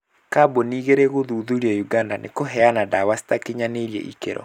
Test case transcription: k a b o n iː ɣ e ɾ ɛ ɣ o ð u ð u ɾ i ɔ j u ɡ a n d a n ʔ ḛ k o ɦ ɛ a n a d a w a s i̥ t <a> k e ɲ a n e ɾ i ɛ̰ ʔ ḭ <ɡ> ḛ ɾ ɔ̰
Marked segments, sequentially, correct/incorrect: correct, incorrect

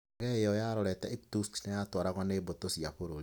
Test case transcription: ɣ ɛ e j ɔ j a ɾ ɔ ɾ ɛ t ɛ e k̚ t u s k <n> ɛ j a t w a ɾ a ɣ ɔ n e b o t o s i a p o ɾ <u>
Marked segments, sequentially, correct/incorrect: correct, incorrect

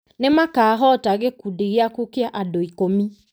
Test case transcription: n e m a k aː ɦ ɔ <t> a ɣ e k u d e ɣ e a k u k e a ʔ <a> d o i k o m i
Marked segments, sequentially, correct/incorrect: correct, correct

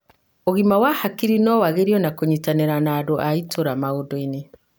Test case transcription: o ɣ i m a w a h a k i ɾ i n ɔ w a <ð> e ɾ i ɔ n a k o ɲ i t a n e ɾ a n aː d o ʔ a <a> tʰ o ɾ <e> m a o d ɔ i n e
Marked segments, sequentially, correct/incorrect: incorrect, incorrect, incorrect

